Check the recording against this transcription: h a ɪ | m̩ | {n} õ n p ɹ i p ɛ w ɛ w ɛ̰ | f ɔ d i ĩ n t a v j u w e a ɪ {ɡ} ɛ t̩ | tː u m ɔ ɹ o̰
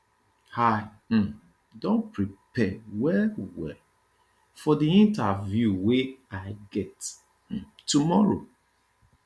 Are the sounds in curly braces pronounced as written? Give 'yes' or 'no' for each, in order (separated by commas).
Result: no, yes